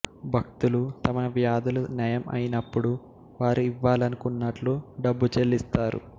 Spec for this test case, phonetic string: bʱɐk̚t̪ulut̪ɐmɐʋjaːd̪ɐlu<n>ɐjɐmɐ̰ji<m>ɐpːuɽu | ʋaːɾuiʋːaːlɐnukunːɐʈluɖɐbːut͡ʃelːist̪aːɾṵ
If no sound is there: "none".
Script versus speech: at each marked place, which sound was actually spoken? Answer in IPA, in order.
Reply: n, n

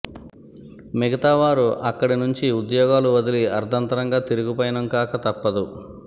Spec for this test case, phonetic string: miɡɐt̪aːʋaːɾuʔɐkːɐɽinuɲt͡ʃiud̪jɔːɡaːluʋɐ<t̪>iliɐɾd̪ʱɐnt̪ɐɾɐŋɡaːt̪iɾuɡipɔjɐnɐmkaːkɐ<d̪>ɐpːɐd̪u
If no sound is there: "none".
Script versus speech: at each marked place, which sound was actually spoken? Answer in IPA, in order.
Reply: d̪, t̪

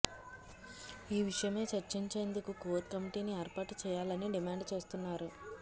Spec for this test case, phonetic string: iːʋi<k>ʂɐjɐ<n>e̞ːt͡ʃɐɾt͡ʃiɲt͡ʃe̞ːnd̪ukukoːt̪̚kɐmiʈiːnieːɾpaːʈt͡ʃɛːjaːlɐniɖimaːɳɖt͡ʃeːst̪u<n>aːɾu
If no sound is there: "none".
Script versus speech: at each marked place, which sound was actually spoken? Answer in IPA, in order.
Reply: none, m, nː

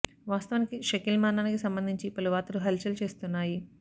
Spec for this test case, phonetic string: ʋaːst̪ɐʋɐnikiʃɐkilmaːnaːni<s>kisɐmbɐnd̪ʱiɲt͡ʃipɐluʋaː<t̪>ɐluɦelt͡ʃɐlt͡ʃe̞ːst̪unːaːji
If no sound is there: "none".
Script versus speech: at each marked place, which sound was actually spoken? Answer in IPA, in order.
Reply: none, t̪

